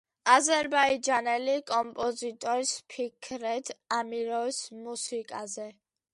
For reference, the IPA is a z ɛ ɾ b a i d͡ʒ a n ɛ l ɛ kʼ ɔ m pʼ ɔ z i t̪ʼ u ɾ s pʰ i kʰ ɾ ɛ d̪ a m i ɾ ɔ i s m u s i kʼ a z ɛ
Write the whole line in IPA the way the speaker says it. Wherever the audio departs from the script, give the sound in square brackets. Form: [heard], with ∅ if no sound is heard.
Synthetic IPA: a z ɛ ɾ b a i d͡ʒ a n ɛ l [i] kʼ ɔ m pʼ ɔ z i t̪ʼ [ɔ] ɾ s pʰ i kʰ ɾ ɛ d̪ a m i ɾ ɔ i s m u s i kʼ a z ɛ